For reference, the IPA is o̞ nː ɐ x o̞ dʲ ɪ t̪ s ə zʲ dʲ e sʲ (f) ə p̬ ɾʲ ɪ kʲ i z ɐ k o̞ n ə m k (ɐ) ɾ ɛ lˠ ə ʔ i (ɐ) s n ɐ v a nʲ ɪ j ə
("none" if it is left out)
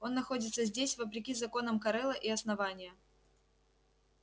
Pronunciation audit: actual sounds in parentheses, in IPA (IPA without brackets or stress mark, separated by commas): v, ɐ, ɐ